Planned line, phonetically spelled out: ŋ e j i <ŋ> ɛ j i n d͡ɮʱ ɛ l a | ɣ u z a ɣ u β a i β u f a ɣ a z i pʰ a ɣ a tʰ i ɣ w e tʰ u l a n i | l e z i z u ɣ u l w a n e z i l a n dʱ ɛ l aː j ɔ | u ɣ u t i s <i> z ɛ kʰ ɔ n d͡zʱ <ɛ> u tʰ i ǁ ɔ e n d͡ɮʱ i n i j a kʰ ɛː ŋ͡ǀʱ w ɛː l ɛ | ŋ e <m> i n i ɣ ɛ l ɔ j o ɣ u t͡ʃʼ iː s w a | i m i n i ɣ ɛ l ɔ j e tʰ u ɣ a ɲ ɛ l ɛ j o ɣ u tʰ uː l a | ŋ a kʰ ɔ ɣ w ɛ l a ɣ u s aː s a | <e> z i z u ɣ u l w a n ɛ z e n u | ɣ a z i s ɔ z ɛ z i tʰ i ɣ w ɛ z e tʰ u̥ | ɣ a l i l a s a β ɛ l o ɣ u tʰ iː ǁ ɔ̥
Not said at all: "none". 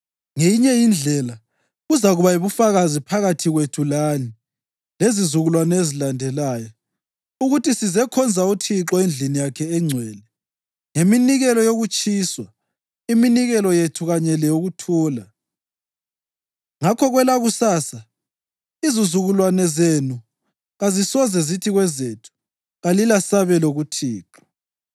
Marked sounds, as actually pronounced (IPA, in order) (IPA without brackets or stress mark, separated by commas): ɲ, i, a, m, i